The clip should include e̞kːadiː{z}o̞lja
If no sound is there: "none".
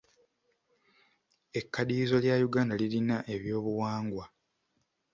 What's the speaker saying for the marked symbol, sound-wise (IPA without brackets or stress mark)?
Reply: z